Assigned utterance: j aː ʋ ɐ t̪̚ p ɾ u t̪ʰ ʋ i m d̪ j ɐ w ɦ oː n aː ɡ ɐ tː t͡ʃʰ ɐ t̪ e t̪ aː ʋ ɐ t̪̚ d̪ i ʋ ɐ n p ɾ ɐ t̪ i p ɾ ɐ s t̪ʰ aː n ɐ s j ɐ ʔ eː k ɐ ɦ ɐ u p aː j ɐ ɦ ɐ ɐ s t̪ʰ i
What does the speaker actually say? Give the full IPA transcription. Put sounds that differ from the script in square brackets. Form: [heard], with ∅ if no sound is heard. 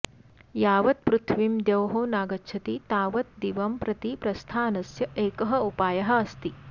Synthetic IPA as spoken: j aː ʋ ɐ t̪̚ p ɾ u t̪ʰ ʋ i m d̪ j ɐ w ɦ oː n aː ɡ ɐ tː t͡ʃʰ ɐ t̪ [i] t̪ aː ʋ ɐ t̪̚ d̪ i ʋ ɐ [m] p ɾ ɐ t̪ i p ɾ ɐ s t̪ʰ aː n ɐ s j ɐ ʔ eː k ɐ ɦ ɐ u p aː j ɐ ɦ ɐ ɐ s [t̪] i